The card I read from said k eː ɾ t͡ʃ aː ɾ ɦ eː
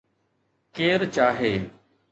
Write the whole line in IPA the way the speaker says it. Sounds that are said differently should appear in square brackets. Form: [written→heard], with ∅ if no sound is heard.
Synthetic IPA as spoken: k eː ɾ t͡ʃ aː [ɾ→∅] ɦ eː